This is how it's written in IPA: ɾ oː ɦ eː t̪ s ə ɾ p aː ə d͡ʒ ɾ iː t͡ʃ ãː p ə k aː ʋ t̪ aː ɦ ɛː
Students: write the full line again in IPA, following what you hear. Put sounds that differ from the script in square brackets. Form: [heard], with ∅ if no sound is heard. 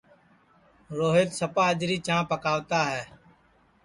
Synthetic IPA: ɾ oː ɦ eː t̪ s ə [∅] p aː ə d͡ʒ ɾ iː t͡ʃ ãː p ə k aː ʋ t̪ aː ɦ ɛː